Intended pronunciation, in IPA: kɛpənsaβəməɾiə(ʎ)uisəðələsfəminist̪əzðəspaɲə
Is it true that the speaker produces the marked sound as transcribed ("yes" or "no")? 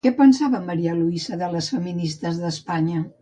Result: no